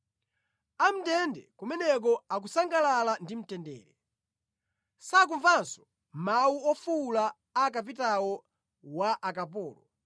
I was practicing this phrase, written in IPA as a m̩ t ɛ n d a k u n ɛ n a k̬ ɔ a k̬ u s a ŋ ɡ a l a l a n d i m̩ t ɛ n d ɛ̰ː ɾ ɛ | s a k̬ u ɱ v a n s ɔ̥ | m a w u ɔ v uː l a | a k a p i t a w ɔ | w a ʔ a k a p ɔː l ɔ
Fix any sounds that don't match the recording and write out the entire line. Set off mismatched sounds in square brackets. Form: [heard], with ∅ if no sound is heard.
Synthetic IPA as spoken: a m̩ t ɛ n d [ɛ] k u [m] ɛ n [ɛ] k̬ ɔ a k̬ u s a ŋ ɡ a l a l a n d i m̩ t ɛ n d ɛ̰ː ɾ ɛ | s a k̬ u ɱ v a n s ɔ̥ | m a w u ɔ [f] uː l a | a k a p i t a w ɔ | w a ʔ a k a p ɔː l ɔ